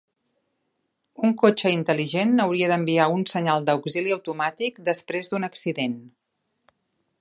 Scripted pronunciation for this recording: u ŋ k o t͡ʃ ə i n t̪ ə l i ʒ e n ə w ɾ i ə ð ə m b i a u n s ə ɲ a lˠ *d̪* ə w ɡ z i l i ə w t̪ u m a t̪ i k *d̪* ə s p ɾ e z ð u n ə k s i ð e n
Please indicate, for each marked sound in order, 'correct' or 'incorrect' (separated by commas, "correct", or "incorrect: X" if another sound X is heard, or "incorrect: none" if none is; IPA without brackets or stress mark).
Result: correct, correct